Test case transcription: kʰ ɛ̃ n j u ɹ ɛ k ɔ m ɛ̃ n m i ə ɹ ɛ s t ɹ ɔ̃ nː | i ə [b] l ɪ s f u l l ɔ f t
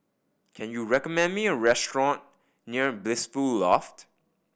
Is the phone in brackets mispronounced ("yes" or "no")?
no